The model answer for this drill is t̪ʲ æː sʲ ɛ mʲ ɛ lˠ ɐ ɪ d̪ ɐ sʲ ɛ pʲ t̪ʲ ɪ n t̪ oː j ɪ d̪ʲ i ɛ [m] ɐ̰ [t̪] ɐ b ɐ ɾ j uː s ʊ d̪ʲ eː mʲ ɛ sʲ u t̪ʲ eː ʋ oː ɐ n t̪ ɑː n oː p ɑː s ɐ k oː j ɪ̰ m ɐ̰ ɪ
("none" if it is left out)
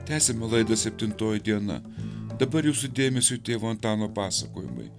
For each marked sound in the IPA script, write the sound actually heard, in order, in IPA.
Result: n, d̪

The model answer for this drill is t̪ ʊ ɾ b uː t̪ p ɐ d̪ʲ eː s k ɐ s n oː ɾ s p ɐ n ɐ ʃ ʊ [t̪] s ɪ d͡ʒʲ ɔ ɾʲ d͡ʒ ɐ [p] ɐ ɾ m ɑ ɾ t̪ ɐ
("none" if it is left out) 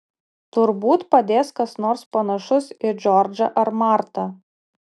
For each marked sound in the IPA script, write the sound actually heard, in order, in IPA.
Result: none, ʔ

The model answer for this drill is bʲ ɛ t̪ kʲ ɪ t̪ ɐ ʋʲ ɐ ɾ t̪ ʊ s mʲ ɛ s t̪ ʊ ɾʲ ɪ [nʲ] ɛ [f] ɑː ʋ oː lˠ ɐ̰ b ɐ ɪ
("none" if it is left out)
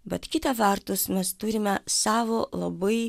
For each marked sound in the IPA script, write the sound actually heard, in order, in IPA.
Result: mʲ, s

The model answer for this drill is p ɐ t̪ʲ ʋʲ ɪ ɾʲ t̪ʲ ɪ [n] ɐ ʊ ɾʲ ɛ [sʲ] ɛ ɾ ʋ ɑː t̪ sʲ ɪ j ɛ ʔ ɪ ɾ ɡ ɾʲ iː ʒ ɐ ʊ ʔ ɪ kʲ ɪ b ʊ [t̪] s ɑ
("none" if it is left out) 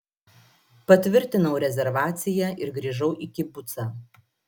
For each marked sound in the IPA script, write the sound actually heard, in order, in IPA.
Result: n, zʲ, t̪

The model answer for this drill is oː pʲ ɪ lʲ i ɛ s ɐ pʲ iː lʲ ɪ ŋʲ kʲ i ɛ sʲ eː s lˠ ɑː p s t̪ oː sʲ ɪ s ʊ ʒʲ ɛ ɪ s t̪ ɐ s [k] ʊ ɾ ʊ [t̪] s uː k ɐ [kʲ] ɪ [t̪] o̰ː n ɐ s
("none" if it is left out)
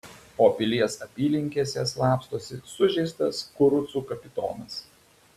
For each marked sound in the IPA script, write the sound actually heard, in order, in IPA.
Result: k, t̪, pʲ, t̪

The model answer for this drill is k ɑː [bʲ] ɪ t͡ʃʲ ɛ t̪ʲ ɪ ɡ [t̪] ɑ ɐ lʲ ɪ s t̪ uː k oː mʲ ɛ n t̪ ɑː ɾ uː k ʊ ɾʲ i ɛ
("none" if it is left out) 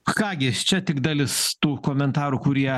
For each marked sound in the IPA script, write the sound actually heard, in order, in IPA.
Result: ɡʲ, d̪

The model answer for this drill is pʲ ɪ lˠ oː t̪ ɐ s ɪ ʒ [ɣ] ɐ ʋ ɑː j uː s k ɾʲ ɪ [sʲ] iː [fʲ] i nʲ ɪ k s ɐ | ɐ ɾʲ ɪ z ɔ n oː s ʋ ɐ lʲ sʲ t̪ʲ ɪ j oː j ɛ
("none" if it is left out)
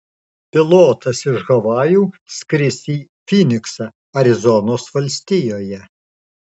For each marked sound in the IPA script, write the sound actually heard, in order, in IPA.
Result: ɣ, sʲ, fʲ

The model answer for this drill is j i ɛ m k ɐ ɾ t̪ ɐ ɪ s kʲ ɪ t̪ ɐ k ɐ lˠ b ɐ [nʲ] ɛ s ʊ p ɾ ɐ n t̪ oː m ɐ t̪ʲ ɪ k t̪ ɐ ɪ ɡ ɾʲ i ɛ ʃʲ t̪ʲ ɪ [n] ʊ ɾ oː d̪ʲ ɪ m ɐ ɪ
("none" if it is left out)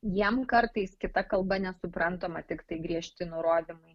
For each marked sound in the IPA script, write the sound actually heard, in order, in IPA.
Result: nʲ, n

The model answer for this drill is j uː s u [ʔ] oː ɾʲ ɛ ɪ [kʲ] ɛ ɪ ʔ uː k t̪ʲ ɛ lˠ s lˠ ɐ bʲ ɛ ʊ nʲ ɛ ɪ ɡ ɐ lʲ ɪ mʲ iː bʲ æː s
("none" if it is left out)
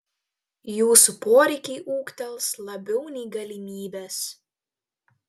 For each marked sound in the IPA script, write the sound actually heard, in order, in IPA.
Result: p, kʲ

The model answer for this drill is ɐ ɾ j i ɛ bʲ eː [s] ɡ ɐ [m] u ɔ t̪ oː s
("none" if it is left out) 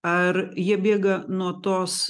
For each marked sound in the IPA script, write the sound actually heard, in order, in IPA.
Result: none, n

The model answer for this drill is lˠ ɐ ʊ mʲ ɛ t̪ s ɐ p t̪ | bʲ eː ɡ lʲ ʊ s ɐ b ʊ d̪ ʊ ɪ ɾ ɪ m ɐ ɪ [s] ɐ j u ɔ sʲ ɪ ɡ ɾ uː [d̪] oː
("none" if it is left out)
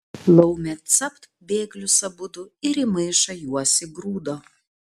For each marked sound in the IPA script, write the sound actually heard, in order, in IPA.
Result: ʃ, d̪

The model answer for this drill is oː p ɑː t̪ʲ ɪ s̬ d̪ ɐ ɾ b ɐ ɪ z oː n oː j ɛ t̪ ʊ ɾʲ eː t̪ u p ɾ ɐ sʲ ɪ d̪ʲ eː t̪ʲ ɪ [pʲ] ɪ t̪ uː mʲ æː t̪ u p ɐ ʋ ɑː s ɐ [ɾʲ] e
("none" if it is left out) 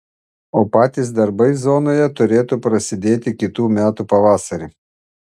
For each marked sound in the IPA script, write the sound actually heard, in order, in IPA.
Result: kʲ, ɾʲ

